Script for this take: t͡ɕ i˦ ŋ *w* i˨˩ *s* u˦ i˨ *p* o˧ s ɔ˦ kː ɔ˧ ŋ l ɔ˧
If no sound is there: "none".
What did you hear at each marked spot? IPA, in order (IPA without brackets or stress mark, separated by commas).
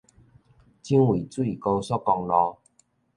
w, t͡s, k